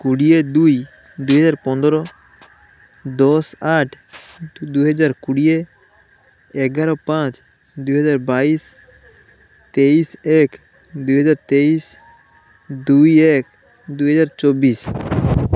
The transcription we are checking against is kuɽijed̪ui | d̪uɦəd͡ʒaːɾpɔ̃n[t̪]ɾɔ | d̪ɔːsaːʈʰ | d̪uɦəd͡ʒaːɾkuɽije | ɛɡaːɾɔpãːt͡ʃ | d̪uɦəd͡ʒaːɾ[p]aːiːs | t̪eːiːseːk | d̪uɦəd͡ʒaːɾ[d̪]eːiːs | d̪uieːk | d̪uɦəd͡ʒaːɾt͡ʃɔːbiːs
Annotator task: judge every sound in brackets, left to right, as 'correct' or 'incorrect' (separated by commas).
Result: incorrect, incorrect, incorrect